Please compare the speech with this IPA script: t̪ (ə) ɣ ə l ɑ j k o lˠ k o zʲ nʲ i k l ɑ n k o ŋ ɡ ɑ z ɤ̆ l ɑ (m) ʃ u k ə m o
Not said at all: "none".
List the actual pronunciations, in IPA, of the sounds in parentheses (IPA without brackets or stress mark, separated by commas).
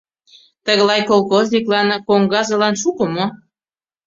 ə, n